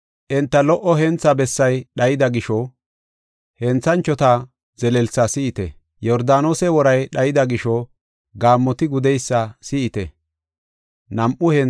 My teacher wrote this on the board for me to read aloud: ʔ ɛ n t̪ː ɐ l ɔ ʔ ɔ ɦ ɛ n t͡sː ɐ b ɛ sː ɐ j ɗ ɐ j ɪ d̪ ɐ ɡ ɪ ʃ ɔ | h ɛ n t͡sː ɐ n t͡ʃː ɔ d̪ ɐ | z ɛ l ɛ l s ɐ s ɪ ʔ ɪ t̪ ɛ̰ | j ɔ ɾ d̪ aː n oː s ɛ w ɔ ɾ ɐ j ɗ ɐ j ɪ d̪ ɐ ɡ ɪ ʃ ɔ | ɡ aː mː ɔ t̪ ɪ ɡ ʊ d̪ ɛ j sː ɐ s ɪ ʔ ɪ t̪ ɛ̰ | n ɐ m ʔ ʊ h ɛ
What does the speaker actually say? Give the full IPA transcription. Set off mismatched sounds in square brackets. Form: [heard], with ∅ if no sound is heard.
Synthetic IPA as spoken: ʔ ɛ n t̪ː ɐ l ɔ ʔ ɔ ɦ ɛ n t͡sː ɐ b ɛ sː ɐ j ɗ ɐ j ɪ d̪ ɐ ɡ ɪ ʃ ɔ | h ɛ n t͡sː ɐ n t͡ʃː ɔ [t̪] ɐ | z ɛ l ɛ l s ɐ s ɪ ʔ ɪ t̪ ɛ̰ | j ɔ ɾ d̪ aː n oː s ɛ w ɔ ɾ ɐ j ɗ ɐ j ɪ d̪ ɐ ɡ ɪ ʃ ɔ | ɡ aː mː ɔ t̪ ɪ ɡ ʊ d̪ ɛ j sː ɐ s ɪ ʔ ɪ t̪ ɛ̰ | n ɐ m ʔ ʊ h ɛ